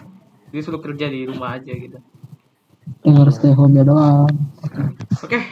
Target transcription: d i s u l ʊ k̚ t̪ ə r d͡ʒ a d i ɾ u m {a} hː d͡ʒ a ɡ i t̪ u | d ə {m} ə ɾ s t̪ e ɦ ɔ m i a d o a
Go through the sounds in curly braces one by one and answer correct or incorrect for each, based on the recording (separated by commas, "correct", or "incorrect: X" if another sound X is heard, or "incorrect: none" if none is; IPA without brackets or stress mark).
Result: correct, incorrect: ŋ